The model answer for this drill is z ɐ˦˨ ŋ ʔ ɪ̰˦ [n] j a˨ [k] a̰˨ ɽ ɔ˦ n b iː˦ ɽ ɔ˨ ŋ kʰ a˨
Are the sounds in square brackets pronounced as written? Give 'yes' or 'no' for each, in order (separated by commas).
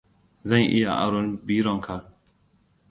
no, no